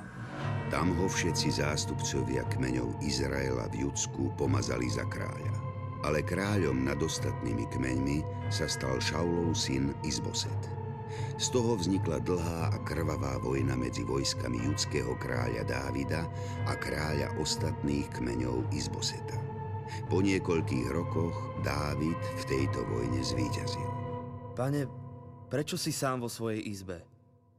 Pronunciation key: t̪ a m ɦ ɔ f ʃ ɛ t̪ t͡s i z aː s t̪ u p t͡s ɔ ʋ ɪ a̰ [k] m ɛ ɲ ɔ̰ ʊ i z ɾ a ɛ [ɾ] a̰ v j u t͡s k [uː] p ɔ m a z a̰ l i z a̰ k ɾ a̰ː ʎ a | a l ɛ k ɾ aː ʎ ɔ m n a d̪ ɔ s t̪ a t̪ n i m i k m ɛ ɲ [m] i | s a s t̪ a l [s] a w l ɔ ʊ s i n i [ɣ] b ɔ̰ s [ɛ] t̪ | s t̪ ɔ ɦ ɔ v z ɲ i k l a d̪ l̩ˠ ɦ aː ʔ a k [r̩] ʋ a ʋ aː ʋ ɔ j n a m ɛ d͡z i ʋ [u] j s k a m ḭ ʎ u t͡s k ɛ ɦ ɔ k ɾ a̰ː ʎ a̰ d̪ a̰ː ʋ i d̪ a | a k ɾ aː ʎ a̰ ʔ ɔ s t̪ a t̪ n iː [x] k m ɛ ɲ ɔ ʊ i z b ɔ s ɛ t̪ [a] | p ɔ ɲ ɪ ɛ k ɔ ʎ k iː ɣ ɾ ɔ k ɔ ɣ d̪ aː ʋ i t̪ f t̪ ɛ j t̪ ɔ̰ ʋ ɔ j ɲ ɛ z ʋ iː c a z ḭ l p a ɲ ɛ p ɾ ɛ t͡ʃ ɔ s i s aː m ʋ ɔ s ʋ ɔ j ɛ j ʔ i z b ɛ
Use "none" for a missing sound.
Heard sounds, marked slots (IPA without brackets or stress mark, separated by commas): k, l, u, m, ʃ, z, ɛ, r̩, ɔ, x, a